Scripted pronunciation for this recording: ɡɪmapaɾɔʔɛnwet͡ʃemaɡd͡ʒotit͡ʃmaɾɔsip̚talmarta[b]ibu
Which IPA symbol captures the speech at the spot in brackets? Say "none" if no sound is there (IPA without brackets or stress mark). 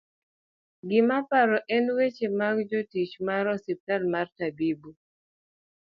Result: b